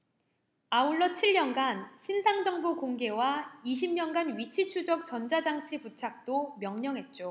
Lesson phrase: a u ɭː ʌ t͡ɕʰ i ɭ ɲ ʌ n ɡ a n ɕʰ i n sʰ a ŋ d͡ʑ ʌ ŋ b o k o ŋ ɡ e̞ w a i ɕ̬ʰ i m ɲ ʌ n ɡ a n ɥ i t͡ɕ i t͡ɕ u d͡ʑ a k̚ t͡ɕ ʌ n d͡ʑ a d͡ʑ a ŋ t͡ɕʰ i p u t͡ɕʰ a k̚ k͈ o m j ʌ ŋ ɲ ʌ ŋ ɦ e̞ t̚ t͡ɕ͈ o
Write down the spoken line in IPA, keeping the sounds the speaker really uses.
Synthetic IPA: a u ɭː ʌ t͡ɕʰ i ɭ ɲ ʌ n ɡ a n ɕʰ i n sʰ a ŋ d͡ʑ ʌ ŋ b o k o ŋ ɡ e̞ w a i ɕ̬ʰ i m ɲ ʌ n ɡ a n ɥ i t͡ɕʰ i t͡ɕʰ u d͡ʑ ʌ k̚ t͡ɕ ʌ n d͡ʑ a d͡ʑ a ŋ t͡ɕʰ i p u t͡ɕʰ a k̚ t͈ o m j ʌ ŋ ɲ ʌ ŋ ɦ e̞ t̚ t͡ɕ͈ o